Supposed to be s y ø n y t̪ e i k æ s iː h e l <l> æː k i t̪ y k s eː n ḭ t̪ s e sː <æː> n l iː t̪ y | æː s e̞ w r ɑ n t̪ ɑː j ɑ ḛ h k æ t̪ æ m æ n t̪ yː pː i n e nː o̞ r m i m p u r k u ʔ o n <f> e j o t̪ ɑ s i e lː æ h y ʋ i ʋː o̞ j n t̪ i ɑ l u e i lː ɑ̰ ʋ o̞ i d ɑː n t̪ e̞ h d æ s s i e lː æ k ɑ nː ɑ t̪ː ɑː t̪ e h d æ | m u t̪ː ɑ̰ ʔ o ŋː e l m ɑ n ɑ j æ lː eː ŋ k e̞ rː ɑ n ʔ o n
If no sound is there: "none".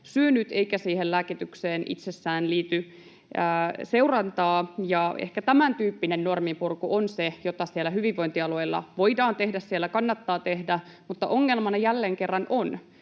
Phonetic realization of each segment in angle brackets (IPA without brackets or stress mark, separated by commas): l, æː, s